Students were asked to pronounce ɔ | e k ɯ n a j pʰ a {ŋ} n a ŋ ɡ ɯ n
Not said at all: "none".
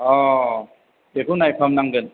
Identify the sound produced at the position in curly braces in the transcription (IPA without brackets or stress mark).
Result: m